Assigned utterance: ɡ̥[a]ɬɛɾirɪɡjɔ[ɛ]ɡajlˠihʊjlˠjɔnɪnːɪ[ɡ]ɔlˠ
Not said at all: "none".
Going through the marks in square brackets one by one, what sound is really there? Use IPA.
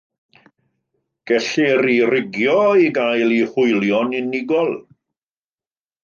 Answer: ɛ, i, ɡ

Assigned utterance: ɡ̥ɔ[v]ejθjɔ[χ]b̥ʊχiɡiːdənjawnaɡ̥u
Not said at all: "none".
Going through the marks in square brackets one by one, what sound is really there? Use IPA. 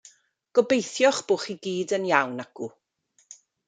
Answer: b, χ

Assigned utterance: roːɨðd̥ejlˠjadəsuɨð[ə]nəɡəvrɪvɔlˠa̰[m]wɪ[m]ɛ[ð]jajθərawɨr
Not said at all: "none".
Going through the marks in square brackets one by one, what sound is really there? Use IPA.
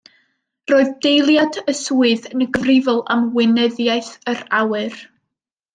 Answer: ə, m, n, ð

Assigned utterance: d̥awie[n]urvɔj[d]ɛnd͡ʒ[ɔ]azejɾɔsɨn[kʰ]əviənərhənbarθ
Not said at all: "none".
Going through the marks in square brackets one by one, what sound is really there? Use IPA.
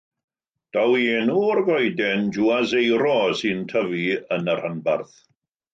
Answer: n, d, u, tʰ

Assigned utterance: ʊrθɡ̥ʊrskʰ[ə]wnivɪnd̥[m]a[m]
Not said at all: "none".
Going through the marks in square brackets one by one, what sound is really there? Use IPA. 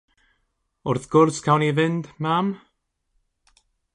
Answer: a, m, m

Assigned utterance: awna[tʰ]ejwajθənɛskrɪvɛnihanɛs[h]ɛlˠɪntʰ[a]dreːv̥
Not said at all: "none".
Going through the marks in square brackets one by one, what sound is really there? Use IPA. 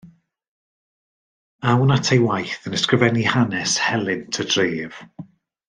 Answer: tʰ, h, ə

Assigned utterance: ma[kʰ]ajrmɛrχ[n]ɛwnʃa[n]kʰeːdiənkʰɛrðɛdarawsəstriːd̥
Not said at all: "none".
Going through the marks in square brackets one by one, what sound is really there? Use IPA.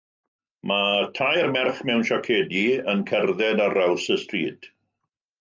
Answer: tʰ, m, none

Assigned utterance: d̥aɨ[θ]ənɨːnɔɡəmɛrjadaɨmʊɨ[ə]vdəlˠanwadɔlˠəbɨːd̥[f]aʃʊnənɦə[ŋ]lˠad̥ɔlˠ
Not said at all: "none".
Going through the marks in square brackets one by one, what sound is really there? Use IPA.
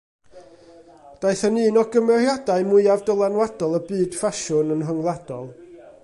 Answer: θ, a, f, ŋ

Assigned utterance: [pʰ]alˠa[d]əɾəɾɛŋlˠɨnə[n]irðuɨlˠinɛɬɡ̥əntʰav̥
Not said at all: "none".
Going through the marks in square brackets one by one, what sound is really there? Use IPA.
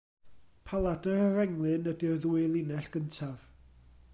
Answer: pʰ, d, d

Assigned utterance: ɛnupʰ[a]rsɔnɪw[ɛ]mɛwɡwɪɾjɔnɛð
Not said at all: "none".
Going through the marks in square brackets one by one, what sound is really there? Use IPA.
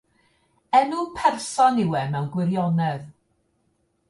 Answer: ɛ, ɛ

